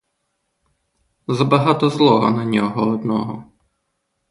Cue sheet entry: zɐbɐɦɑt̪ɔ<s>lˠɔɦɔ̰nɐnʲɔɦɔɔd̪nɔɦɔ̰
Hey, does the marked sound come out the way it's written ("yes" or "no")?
no